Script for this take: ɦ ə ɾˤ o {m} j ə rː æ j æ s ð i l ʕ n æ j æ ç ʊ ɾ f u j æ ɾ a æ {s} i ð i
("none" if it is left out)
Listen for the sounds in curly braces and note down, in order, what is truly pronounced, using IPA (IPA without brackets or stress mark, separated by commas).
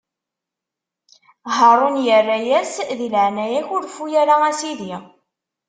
n, s